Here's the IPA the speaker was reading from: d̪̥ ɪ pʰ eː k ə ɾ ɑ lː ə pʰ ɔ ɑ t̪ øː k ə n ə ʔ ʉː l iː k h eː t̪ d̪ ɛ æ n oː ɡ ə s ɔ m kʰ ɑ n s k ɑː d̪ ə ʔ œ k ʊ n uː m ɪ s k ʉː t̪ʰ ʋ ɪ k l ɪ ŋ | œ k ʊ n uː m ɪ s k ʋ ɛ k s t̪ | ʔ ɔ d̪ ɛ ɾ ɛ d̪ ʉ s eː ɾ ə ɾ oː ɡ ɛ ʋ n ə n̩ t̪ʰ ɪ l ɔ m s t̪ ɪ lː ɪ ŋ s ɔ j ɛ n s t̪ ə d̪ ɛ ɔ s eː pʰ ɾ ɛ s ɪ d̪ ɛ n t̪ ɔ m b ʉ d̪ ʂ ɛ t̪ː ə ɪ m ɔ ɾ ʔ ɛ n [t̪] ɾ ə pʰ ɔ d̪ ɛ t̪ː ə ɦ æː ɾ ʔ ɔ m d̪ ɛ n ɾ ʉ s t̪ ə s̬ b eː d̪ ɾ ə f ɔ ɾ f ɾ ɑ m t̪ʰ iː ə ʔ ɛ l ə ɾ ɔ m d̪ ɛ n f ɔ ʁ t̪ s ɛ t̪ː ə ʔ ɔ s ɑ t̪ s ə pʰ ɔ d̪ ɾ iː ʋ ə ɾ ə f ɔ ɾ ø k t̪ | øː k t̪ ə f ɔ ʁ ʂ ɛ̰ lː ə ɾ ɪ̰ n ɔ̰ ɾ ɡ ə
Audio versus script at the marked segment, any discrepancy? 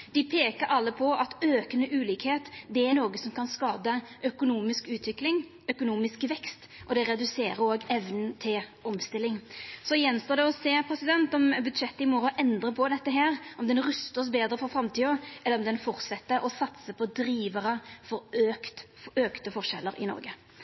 yes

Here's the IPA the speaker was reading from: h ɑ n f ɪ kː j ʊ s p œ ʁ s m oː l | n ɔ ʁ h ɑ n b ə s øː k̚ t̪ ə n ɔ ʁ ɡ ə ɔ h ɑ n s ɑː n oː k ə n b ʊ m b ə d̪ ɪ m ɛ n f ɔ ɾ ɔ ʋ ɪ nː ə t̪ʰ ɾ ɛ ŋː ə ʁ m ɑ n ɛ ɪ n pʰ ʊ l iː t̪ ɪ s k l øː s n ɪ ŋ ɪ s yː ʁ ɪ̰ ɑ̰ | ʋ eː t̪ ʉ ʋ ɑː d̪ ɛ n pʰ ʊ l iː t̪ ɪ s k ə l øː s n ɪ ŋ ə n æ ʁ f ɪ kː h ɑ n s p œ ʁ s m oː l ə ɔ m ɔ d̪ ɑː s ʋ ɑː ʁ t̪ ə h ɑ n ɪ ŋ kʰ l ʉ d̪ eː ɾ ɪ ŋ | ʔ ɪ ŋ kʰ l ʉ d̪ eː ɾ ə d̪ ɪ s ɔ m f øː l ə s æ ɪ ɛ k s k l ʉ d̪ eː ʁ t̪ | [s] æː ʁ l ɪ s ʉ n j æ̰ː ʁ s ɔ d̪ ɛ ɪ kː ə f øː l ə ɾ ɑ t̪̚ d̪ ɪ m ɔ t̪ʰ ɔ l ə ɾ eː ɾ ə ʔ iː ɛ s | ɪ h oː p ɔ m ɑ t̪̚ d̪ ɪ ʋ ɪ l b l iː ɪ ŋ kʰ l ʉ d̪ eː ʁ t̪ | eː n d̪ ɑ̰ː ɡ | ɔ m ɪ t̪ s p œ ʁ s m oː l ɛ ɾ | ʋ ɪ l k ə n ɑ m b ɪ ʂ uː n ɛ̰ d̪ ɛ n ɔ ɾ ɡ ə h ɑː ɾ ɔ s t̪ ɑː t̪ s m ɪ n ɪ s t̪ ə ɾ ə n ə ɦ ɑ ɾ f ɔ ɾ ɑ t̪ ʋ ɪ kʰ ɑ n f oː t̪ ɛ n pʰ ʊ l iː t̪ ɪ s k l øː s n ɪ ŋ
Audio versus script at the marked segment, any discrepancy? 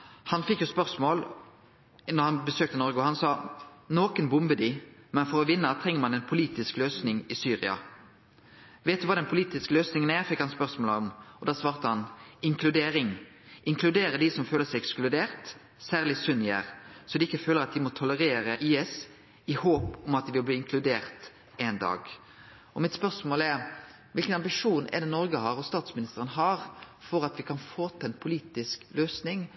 no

